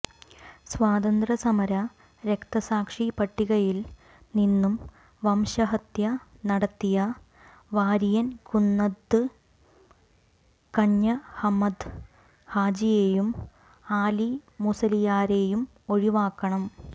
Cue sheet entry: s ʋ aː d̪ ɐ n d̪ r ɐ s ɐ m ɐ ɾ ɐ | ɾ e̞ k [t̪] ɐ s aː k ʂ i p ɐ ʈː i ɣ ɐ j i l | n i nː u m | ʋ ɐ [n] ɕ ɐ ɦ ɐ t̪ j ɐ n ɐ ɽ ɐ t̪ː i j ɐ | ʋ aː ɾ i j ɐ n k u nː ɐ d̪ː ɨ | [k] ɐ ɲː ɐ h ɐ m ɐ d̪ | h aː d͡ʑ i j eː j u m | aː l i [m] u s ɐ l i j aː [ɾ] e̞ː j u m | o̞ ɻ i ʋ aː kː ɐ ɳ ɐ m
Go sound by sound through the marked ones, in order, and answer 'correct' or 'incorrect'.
correct, incorrect: m, correct, correct, correct

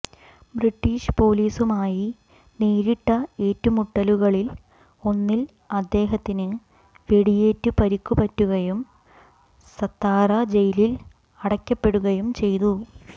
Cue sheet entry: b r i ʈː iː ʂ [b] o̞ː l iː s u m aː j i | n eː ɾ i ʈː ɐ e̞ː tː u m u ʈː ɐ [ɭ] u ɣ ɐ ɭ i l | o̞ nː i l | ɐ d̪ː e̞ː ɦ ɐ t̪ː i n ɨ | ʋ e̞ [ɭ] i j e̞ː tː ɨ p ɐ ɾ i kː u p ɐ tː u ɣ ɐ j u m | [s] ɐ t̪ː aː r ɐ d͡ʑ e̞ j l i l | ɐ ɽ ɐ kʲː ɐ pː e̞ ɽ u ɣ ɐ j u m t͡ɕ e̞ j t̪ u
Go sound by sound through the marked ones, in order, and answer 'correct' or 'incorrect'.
incorrect: p, incorrect: l, incorrect: ɽ, correct

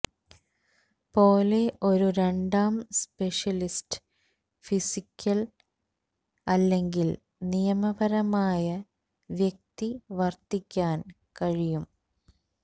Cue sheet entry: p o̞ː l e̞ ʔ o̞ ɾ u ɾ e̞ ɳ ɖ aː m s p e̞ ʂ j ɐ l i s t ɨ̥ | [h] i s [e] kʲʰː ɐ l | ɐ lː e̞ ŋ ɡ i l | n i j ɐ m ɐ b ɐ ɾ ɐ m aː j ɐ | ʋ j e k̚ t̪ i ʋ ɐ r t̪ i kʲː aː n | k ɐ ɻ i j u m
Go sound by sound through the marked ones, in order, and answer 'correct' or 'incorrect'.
incorrect: f, incorrect: i

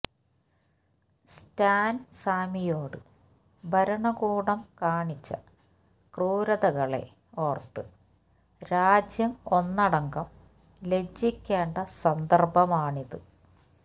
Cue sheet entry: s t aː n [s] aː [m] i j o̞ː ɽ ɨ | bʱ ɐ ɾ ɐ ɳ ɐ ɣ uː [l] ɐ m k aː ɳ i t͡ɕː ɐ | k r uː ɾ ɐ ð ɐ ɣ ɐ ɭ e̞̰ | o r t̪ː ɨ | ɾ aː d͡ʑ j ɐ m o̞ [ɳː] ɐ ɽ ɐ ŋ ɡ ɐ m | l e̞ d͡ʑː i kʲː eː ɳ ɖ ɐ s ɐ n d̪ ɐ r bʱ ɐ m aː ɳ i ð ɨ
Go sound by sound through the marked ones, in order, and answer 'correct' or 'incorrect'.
correct, correct, incorrect: ɽ, incorrect: nː

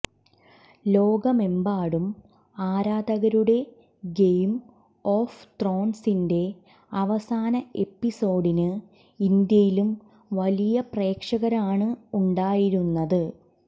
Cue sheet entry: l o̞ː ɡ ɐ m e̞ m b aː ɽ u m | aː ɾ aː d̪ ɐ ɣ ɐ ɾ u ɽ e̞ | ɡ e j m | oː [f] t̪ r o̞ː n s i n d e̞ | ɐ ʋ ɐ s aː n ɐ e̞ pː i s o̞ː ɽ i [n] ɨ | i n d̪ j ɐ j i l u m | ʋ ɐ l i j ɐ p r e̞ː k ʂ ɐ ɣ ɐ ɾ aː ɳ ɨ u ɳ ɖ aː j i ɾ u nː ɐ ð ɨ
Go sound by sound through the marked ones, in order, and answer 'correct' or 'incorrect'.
correct, correct

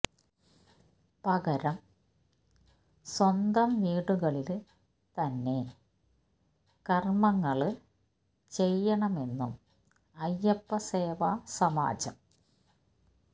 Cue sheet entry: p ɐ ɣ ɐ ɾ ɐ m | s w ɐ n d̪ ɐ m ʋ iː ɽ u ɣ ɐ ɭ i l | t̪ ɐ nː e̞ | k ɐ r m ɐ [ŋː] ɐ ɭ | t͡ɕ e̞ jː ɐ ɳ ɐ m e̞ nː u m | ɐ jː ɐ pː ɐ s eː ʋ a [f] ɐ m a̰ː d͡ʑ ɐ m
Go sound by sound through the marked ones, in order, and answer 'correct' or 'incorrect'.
correct, incorrect: s

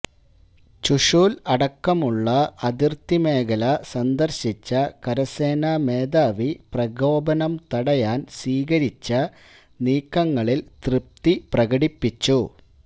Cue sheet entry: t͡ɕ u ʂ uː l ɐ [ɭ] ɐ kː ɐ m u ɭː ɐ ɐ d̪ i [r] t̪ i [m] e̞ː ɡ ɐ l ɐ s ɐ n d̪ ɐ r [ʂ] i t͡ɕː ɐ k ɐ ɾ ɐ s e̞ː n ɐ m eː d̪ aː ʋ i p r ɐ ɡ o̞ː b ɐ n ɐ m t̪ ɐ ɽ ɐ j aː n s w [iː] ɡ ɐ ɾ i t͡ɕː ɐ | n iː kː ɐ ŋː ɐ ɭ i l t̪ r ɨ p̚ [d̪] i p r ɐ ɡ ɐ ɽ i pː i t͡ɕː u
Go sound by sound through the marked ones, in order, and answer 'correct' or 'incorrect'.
incorrect: ɽ, correct, correct, incorrect: ɕ, correct, incorrect: t̪

